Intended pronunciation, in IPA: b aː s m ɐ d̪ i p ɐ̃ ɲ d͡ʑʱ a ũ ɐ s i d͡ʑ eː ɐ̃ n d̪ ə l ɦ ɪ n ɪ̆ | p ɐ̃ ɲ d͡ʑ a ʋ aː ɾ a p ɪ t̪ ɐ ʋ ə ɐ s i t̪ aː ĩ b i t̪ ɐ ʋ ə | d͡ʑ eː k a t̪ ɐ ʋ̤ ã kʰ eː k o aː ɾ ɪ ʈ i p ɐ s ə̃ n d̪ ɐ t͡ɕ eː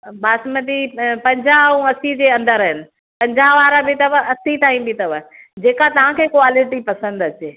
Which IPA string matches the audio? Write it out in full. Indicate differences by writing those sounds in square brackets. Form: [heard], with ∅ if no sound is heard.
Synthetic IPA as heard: b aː s m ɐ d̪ i p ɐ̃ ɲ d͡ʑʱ a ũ ɐ s i d͡ʑ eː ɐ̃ n d̪ ə [ɾ] ɦ ɪ n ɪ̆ | p ɐ̃ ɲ d͡ʑ a ʋ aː ɾ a [b] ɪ t̪ ɐ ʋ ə ɐ s i t̪ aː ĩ b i t̪ ɐ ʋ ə | d͡ʑ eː k a t̪ ɐ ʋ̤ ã kʰ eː k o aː [l] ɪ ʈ i p ɐ s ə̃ n d̪ ɐ t͡ɕ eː